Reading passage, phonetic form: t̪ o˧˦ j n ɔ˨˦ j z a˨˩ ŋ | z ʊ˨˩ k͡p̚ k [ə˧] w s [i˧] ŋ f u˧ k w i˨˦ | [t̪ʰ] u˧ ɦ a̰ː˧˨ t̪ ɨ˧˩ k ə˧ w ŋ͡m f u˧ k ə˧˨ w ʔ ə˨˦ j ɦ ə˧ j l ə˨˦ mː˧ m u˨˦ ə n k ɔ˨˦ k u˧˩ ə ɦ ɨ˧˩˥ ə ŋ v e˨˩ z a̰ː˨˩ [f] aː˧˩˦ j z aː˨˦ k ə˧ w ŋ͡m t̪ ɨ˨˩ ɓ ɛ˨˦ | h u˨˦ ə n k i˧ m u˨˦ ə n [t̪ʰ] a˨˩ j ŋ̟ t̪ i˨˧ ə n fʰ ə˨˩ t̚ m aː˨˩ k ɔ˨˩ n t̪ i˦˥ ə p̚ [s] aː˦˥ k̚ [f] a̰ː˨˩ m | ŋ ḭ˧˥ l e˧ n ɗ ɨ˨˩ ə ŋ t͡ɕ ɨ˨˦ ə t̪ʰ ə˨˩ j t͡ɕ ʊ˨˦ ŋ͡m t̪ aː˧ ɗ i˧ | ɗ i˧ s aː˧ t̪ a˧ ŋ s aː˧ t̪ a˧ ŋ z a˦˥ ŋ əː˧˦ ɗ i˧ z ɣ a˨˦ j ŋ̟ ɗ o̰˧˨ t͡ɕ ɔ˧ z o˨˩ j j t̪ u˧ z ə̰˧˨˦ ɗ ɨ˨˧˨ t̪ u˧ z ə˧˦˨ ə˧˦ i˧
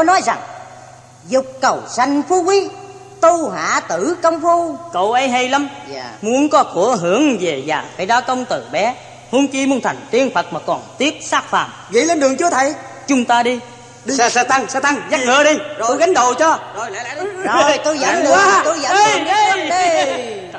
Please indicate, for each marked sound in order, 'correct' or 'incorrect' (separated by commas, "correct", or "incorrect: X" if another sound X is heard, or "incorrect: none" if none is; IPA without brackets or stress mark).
incorrect: ə˨˩, incorrect: a˧, incorrect: t̪, correct, correct, correct, correct